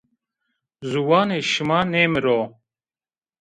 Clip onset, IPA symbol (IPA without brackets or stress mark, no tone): z